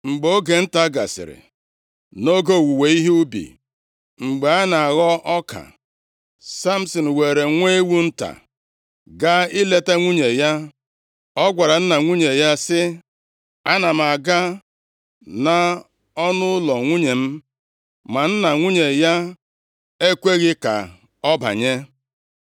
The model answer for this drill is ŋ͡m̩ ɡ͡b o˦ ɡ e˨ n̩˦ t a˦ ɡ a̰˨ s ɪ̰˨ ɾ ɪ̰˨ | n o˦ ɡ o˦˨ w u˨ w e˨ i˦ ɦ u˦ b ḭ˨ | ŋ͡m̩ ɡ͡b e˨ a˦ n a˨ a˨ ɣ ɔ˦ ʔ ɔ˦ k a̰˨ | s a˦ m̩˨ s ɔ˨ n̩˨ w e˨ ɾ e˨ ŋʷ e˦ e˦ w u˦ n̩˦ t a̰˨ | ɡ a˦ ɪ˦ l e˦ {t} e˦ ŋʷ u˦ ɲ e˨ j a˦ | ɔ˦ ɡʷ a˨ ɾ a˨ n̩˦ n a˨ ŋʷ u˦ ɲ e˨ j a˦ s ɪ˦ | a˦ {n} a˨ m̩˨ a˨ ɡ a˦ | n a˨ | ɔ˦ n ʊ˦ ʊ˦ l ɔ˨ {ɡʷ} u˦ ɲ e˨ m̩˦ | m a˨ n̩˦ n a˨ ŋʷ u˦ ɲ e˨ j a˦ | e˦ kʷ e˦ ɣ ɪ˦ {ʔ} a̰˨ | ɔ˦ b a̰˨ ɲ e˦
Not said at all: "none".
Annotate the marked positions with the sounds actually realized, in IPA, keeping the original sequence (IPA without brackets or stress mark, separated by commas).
t, n, ŋʷ, k